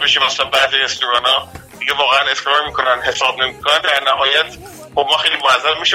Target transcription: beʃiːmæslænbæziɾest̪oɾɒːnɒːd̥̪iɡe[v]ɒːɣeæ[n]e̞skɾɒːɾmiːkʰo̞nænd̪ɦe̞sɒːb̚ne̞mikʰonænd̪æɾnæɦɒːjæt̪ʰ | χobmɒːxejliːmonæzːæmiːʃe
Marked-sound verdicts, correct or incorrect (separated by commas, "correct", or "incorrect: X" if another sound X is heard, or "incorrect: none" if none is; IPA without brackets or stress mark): correct, correct